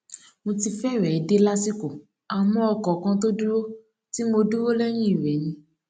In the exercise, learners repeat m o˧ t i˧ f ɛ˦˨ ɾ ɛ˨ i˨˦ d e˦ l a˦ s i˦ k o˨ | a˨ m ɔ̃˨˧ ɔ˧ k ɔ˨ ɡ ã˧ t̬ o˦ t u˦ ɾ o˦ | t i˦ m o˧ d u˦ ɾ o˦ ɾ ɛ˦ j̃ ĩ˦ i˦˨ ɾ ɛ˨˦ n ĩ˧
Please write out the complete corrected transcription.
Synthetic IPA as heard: m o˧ t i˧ f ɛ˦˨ ɾ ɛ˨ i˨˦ d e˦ l a˦ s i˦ k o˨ | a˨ m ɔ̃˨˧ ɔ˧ k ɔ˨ k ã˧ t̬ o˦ d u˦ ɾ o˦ | t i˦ m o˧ d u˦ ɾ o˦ l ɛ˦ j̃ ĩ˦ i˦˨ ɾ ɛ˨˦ n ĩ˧